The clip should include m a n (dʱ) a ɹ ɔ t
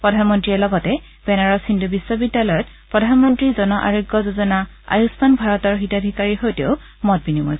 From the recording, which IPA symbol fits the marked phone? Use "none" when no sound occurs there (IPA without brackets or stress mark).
bʱ